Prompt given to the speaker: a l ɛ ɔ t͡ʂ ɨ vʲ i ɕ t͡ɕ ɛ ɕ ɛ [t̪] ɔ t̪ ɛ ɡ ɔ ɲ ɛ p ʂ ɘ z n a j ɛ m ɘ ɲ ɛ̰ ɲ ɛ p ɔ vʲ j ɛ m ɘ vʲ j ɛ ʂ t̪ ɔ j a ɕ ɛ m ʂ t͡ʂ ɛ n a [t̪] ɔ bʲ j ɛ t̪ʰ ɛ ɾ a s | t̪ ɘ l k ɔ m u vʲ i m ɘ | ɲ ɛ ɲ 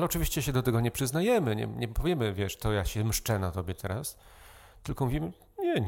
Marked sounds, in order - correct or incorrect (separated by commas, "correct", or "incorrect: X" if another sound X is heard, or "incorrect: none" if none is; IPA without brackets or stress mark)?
incorrect: d̪, correct